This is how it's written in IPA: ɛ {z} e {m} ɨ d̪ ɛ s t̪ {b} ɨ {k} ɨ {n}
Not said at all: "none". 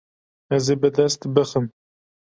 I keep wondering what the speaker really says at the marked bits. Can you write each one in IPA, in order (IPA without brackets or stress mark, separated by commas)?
z, b, b, x, m